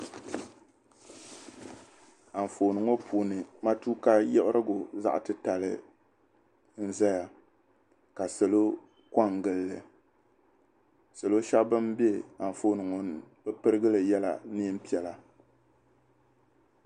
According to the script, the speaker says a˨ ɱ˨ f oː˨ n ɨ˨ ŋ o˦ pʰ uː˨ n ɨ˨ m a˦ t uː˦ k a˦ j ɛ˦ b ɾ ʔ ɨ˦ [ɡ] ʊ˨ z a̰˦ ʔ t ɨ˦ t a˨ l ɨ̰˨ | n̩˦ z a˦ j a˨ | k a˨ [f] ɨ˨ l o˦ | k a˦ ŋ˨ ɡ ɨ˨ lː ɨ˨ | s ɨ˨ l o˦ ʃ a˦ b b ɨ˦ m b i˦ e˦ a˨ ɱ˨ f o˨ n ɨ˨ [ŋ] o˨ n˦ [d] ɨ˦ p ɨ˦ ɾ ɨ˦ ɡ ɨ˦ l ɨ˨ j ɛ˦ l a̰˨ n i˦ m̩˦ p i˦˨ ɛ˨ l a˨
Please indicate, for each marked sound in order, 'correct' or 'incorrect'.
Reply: correct, incorrect, correct, incorrect

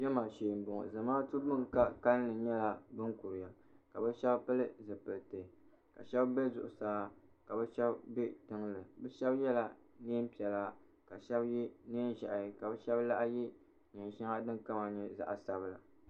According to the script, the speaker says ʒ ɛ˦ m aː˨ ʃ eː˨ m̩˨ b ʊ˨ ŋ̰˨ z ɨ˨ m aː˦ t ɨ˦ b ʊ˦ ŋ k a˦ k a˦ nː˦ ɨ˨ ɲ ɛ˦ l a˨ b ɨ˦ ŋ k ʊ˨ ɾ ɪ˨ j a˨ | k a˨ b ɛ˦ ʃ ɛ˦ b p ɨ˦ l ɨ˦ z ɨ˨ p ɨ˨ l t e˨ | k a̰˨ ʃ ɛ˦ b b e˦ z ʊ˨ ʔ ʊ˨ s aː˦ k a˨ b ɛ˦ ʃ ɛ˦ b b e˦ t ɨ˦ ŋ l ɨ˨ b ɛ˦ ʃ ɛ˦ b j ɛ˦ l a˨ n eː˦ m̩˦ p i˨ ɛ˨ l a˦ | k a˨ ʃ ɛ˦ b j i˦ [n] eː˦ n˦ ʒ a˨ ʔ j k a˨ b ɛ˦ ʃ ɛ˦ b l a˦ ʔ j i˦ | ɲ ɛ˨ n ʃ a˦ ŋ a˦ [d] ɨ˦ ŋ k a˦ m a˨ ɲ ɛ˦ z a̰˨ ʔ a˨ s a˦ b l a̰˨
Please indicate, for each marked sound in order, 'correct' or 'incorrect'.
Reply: correct, correct

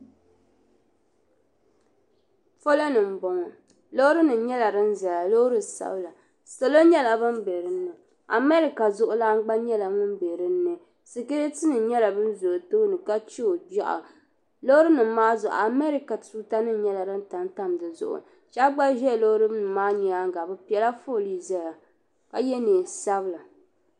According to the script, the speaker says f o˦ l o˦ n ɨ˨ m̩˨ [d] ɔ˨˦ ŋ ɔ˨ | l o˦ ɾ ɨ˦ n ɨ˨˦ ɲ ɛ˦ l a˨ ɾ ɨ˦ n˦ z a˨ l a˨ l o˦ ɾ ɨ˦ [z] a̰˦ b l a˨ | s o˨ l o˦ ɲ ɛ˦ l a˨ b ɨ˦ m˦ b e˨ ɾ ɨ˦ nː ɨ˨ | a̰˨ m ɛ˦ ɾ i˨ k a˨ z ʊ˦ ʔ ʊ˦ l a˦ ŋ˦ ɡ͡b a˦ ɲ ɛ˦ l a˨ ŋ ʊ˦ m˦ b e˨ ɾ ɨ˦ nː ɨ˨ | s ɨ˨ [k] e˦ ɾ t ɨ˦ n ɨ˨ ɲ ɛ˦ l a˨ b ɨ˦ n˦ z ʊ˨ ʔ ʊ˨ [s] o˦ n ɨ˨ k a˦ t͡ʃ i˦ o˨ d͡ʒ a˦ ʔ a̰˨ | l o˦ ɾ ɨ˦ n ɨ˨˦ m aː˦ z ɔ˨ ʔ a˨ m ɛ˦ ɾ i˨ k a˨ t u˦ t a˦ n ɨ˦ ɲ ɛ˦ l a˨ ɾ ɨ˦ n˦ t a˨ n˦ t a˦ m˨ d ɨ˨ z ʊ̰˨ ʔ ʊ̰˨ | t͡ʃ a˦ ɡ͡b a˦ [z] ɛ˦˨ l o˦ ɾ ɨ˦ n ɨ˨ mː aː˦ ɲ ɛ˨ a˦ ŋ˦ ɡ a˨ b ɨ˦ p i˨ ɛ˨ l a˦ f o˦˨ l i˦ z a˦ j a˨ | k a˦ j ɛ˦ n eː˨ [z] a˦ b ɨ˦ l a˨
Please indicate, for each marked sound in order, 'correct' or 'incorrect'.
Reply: incorrect, incorrect, correct, incorrect, incorrect, incorrect

